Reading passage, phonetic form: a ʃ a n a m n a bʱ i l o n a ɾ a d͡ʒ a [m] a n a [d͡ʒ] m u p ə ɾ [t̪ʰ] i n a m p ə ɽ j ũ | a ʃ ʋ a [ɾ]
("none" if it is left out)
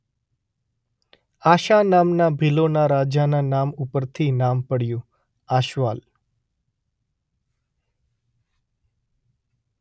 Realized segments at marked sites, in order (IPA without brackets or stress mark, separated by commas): n, none, t̪ʰ, l